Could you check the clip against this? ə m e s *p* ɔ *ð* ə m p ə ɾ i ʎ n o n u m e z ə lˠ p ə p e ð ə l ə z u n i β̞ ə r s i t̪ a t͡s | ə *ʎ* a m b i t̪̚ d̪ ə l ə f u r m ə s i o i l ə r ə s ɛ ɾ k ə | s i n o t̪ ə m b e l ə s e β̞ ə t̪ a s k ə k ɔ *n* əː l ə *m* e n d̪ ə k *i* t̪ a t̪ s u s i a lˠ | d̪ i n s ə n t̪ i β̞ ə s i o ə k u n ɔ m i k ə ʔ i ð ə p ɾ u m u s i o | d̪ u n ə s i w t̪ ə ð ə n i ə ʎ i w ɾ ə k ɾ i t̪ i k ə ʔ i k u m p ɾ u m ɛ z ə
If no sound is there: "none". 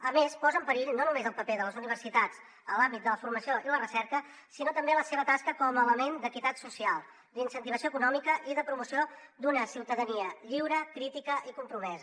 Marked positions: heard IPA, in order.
p, z, l, m, m, i

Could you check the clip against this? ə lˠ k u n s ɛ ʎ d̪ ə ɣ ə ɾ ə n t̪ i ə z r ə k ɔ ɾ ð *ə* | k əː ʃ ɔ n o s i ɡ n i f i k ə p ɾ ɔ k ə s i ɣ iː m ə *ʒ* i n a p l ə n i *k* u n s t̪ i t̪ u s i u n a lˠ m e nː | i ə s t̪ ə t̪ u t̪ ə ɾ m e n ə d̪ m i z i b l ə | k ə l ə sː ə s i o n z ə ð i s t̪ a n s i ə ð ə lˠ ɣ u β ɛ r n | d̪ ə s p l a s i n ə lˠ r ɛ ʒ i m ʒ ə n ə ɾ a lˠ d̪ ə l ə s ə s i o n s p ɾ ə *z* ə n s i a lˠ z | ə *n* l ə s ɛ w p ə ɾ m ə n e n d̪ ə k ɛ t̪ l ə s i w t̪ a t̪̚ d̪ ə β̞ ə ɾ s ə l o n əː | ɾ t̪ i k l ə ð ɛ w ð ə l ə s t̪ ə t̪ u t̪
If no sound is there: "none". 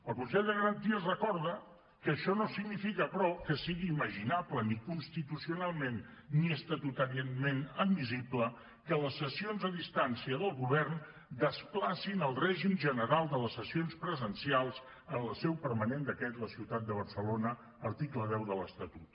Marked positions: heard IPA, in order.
ə, ʒ, k, z, n

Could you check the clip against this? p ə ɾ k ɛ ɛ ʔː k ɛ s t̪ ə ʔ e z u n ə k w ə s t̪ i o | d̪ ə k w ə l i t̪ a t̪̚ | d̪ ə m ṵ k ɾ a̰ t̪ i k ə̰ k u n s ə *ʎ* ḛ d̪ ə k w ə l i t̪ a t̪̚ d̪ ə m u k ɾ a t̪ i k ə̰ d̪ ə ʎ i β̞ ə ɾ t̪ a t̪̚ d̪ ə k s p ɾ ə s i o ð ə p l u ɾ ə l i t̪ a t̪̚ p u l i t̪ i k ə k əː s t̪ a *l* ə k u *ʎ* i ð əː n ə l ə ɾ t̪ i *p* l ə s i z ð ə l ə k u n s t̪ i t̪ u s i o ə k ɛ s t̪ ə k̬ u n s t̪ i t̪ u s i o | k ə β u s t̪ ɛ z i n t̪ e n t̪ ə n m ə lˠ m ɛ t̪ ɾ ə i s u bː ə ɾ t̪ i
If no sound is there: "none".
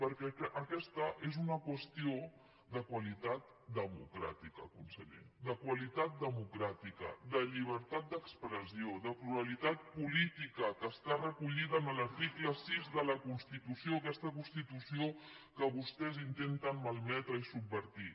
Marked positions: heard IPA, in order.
ʎ, r, ʎ, k

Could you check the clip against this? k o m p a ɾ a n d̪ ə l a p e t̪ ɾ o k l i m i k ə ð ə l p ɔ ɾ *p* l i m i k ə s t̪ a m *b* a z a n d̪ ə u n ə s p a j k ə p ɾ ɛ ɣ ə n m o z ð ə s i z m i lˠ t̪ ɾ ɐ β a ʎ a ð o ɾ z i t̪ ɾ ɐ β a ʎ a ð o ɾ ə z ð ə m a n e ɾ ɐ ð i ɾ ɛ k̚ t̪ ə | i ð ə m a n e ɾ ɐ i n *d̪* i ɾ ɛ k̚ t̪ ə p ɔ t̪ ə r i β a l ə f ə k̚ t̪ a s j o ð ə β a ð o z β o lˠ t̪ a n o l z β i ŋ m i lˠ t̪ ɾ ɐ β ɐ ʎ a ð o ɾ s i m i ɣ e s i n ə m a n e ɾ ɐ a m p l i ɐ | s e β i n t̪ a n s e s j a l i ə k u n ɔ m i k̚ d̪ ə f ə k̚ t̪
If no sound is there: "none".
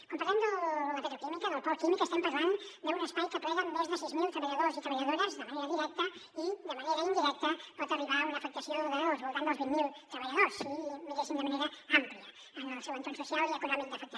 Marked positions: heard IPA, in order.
k, p, d̪

